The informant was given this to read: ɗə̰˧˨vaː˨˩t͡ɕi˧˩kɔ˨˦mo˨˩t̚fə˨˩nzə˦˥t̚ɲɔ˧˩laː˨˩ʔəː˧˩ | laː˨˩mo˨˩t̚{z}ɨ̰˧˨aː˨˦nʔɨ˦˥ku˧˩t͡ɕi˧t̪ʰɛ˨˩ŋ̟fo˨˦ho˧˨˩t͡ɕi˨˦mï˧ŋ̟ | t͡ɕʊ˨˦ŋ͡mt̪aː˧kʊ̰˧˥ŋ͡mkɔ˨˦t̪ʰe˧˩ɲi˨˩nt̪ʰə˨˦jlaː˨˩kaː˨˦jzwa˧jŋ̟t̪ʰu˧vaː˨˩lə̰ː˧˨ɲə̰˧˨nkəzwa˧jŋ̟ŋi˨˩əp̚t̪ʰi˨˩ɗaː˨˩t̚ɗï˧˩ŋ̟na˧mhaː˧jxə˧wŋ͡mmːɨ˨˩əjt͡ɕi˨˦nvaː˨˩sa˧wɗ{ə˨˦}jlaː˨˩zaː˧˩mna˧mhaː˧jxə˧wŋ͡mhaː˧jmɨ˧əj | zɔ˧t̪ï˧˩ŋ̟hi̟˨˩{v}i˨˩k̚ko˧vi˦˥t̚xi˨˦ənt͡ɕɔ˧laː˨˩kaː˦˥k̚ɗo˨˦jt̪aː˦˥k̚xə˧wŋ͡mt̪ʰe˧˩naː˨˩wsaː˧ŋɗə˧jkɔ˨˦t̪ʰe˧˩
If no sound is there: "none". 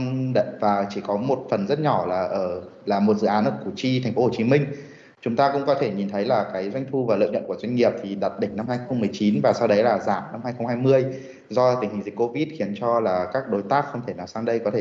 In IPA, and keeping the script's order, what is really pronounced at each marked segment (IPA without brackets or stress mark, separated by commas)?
z, ə˨˦, z